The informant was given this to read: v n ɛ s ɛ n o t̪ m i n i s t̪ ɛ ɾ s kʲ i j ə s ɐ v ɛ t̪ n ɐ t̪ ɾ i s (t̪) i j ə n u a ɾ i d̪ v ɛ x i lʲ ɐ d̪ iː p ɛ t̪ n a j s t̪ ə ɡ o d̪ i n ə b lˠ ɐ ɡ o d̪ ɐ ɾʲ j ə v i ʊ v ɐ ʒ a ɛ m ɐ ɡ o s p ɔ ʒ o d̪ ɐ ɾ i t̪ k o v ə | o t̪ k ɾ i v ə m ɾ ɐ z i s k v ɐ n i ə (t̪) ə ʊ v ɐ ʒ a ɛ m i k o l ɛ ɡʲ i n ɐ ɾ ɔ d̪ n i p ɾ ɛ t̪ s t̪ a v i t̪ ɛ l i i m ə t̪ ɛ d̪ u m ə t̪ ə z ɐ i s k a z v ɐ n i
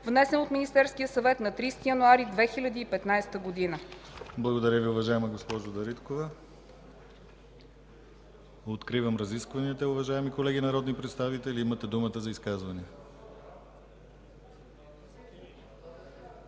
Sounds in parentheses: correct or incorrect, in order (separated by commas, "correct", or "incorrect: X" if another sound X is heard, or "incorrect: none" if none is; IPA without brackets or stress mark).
correct, correct